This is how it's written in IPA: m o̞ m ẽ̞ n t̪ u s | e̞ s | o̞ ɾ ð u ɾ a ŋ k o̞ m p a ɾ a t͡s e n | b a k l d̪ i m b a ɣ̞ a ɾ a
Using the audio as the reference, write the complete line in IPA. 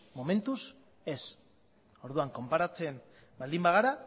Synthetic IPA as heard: m o̞ m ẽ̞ n t̪ u s | e̞ s | o̞ ɾ ð u a ŋ k o̞ m p a ɾ a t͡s e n | b a l d̪ i m b a ɣ̞ a ɾ a

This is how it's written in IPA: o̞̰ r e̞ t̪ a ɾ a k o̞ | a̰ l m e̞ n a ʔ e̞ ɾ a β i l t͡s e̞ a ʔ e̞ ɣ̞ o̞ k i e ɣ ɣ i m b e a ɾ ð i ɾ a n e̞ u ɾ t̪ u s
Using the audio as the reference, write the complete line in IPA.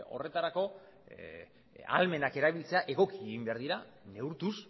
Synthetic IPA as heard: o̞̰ r e̞ t̪ a ɾ a k o̞ | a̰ l m e̞ n a k e̞ ɾ a β i l t͡s e̞ a ʔ e̞ ɣ̞ o̞ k i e ɣ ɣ i m b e a ɾ ð i ɾ a n e̞ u ɾ t̪ u s

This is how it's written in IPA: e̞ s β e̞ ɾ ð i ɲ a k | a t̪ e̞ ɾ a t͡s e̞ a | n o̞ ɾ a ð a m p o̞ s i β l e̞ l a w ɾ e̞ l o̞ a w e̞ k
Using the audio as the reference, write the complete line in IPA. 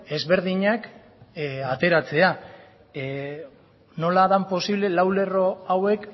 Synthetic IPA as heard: e̞ z β e̞ ɾ ð i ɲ a k | a t̪ e̞ ɾ a t͡s e̞ a | n o̞ l a ð a m p o̞ s i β l e̞ l a w l e̞ r o̞ a w e̞ k

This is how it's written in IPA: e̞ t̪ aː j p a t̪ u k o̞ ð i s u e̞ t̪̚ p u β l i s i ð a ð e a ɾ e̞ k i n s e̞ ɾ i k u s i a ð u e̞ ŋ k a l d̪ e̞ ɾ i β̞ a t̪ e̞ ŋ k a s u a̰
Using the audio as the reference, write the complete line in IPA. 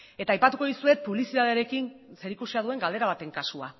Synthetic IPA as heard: e̞ t̪ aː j p a t̪ u k o̞ ð i s u e̞ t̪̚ p u β l i s i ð a ð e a ɾ e̞ k i n s e̞ ɾ i k u s i a ð u e̞ ŋ ɡ a l d̪ e̞ ɾ a β̞ a t̪ e̞ ŋ k a s u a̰

